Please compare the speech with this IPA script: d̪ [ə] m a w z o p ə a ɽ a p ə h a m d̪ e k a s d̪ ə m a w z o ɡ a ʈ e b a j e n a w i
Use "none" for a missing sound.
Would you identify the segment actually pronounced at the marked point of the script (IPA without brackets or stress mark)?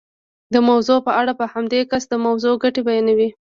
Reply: ə